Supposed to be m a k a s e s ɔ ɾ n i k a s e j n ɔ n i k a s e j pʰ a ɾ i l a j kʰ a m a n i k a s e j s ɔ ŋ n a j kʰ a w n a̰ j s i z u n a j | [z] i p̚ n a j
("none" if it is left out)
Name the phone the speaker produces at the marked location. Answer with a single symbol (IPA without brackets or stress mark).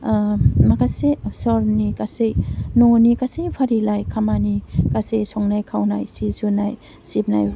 s